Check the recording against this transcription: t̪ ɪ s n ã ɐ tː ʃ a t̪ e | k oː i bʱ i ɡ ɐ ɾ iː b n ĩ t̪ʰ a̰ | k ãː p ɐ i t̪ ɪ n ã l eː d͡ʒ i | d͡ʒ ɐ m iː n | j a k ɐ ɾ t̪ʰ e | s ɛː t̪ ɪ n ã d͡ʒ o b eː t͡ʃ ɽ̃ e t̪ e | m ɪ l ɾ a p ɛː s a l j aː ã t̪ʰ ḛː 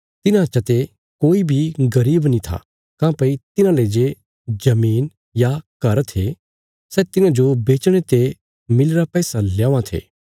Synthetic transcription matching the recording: t̪ ɪ n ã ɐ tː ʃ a t̪ e | k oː i bʱ i ɡ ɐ ɾ iː b n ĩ t̪ʰ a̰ | k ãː p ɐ i t̪ ɪ n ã l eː d͡ʒ e | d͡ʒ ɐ m iː n | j a k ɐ ɾ t̪ʰ e | s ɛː t̪ ɪ n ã d͡ʒ o b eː t͡ʃ ɽ̃ e t̪ e | m ɪ l ɾ a p ɛː s a l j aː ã t̪ʰ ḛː